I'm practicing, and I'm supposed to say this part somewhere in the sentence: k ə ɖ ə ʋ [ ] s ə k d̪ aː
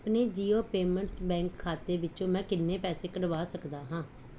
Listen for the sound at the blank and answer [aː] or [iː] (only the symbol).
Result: aː